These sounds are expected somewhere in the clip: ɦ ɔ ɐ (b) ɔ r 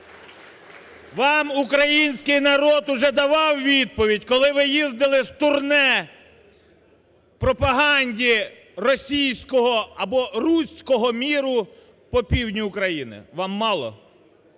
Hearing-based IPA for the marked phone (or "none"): b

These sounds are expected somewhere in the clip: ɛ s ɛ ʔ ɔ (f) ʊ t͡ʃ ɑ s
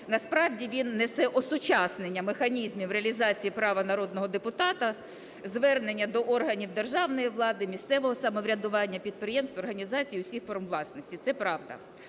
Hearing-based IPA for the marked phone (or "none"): s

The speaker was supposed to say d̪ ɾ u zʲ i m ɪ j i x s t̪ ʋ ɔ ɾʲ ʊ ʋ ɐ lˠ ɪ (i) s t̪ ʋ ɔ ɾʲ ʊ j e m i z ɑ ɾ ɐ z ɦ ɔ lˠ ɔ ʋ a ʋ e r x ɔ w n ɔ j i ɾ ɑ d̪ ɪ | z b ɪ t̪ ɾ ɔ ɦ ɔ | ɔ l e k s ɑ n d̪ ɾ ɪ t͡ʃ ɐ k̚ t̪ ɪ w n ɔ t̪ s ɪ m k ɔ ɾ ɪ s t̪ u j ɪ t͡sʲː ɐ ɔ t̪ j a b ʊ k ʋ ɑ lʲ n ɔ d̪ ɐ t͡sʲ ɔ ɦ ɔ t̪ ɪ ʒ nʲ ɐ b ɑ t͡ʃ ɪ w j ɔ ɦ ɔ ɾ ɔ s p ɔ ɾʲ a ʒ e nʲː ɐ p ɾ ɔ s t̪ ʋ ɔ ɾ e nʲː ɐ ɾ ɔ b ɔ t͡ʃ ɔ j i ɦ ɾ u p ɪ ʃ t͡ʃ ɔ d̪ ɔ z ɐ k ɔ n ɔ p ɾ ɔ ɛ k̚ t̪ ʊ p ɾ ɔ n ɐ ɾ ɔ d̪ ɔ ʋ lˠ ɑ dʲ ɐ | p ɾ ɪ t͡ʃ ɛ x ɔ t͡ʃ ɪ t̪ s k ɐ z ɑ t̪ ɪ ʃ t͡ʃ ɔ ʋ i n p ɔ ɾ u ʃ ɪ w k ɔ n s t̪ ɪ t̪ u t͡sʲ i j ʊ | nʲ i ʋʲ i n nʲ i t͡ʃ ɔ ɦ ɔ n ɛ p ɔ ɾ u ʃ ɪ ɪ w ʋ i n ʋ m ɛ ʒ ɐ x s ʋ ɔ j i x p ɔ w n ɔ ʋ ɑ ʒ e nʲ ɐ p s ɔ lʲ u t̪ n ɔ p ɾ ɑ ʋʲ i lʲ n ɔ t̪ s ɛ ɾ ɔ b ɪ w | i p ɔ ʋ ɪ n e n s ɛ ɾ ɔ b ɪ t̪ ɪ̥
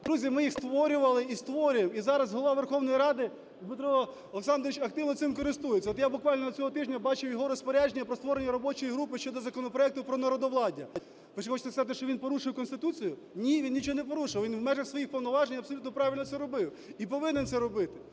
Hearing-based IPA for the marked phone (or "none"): i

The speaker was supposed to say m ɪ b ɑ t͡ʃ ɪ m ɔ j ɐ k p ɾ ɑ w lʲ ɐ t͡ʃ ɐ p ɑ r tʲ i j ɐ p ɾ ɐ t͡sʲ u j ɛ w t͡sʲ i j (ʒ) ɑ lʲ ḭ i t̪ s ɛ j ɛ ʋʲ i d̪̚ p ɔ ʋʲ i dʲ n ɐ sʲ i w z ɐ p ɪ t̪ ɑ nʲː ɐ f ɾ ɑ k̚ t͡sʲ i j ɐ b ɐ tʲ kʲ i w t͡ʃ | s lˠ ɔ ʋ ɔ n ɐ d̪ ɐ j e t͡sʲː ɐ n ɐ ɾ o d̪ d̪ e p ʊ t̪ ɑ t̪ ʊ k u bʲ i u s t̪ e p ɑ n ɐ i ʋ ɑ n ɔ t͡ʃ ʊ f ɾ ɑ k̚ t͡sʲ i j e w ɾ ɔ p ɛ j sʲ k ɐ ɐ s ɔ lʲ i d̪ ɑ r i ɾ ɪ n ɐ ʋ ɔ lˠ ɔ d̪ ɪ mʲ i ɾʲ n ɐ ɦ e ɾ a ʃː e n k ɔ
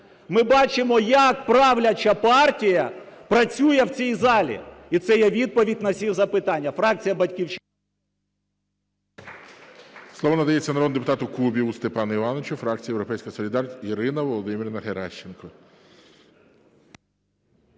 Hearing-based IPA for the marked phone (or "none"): z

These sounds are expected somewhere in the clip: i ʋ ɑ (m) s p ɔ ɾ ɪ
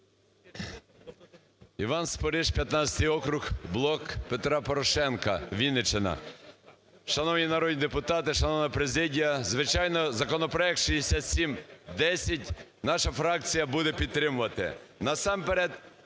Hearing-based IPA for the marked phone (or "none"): n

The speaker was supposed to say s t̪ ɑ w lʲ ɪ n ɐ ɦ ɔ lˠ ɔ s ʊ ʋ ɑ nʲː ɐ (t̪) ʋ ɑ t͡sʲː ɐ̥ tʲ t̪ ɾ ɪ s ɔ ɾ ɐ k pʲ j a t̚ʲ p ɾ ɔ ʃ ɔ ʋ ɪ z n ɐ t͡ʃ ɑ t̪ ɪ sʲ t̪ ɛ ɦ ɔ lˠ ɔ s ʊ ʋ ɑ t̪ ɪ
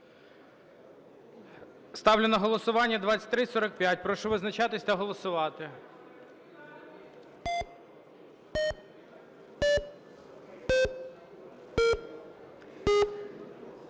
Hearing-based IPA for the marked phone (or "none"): d̪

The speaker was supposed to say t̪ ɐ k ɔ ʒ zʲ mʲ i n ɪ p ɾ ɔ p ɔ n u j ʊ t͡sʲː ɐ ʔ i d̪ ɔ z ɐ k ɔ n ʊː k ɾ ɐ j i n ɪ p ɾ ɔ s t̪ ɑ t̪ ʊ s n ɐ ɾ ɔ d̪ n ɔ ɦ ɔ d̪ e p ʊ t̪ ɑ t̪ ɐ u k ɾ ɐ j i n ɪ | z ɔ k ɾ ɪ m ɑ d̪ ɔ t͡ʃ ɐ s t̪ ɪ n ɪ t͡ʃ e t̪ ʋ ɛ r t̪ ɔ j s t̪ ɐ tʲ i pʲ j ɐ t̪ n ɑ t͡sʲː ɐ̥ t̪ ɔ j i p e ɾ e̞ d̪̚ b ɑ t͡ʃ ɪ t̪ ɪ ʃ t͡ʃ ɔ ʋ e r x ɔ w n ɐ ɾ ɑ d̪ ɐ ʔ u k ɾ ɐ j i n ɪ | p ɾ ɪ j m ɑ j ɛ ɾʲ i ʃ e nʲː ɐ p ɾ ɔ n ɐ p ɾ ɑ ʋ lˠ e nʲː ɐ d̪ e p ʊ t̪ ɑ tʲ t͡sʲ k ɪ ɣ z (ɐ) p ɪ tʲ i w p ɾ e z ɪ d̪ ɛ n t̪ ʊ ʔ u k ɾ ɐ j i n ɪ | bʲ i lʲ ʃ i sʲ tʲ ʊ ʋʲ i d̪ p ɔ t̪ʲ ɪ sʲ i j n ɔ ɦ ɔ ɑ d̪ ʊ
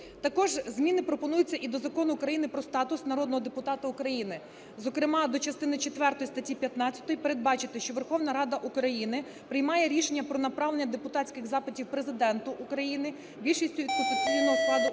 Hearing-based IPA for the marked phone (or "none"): ɑ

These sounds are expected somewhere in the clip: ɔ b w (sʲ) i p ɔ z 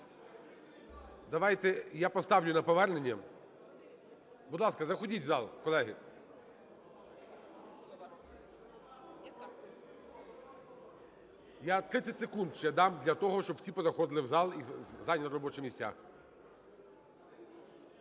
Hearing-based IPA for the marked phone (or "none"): sʲ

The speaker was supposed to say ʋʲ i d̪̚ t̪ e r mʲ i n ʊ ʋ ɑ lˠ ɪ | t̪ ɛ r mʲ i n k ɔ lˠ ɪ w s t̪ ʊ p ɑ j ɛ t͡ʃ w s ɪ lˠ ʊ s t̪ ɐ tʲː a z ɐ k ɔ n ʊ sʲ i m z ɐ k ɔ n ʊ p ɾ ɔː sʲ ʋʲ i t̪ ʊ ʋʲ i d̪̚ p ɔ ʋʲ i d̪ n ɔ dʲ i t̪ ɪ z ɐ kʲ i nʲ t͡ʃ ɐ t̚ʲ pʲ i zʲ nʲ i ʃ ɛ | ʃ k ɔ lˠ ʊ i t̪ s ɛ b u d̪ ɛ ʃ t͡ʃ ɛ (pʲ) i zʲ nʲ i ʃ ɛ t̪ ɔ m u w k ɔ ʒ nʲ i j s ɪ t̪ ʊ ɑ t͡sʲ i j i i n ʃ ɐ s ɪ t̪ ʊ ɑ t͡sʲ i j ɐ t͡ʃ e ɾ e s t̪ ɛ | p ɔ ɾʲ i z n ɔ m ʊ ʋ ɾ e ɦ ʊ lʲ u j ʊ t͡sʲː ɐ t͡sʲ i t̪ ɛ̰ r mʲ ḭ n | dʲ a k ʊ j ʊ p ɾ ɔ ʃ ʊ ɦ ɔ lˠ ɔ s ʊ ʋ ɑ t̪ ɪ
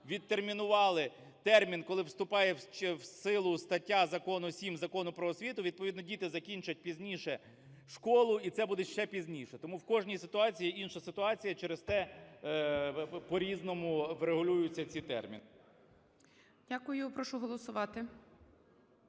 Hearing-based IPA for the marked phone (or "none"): pʲ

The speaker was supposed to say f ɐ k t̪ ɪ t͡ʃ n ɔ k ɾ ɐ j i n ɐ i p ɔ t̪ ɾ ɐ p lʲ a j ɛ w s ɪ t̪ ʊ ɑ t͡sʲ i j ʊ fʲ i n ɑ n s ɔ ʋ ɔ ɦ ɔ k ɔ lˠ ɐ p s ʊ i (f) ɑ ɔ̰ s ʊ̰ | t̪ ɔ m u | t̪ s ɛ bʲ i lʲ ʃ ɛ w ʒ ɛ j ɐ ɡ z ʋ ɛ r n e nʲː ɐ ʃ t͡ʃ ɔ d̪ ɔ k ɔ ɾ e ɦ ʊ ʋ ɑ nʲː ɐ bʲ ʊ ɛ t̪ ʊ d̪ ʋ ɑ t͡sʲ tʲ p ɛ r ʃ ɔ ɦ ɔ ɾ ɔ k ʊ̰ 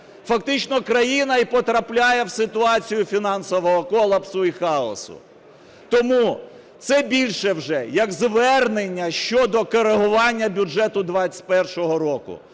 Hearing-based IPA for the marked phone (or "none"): x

